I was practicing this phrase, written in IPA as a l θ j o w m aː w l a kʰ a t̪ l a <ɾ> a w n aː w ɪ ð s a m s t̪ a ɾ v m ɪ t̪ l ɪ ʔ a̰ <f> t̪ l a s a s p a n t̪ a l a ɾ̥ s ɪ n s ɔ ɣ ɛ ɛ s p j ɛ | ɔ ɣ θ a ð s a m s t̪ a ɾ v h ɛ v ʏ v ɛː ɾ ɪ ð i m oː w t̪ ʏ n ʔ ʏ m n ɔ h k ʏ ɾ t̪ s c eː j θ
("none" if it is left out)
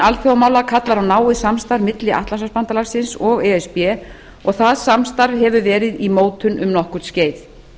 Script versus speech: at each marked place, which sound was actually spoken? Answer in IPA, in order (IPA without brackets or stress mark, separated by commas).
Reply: ɾ, h